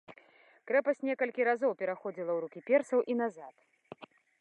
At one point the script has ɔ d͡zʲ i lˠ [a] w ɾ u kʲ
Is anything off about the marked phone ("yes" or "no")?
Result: yes